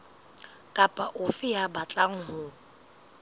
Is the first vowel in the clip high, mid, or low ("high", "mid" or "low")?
low